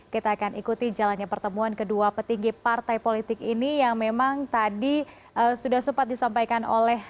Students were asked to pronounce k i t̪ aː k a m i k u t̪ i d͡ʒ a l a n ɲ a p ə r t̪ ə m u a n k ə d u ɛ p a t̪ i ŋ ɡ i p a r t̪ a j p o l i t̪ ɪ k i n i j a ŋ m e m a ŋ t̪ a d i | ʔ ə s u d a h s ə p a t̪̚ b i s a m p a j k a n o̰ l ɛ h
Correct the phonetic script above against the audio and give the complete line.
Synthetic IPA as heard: k i t̪ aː k a n i k u t̪ i d͡ʒ a l a n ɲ a p ə r t̪ ə m u a n k ə d u a p ə t̪ i ŋ ɡ i p a r t̪ a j p o l i t̪ ɪ k i n i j a ŋ m e m a ŋ t̪ a d i | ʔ ə s u d a h s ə p a t̪̚ d i s a m p a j k a n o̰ l ɛ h